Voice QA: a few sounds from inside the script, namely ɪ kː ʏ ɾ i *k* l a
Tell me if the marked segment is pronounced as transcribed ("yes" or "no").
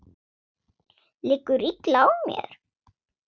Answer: yes